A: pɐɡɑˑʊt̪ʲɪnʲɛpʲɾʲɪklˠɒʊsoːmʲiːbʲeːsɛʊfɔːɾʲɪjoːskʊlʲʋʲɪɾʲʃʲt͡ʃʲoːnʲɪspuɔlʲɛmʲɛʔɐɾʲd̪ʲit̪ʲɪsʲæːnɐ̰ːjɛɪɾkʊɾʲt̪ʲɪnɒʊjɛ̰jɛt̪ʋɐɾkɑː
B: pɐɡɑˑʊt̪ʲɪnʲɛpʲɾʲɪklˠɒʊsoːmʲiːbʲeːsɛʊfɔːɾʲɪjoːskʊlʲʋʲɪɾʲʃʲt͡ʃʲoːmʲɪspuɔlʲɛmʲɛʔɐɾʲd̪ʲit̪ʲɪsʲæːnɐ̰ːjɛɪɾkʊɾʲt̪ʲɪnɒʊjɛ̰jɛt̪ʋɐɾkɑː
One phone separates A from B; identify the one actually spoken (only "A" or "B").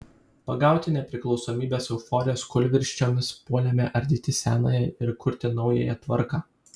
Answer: B